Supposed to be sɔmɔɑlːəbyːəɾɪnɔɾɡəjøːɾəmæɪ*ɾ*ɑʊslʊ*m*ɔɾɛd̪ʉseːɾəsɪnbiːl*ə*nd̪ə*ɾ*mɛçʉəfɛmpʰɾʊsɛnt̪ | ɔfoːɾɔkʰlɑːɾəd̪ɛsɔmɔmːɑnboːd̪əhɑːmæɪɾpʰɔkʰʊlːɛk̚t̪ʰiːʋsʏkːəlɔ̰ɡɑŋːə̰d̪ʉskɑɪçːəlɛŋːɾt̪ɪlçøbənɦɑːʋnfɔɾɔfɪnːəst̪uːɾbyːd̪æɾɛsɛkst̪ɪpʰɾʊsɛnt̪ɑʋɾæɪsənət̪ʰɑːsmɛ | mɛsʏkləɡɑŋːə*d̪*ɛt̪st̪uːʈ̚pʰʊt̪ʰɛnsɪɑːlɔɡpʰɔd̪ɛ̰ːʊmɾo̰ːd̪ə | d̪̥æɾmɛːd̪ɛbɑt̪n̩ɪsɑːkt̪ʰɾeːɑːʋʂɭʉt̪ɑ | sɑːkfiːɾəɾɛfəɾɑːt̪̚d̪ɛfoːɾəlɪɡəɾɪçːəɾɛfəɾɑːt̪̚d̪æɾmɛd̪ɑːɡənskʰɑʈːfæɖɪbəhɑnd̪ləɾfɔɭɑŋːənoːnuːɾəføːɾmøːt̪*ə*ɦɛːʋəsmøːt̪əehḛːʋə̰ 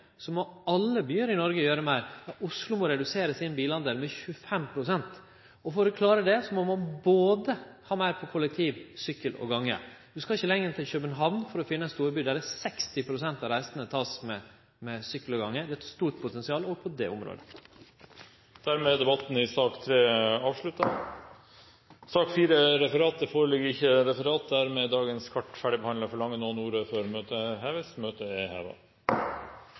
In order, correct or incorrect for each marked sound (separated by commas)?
correct, correct, incorrect, incorrect, correct, correct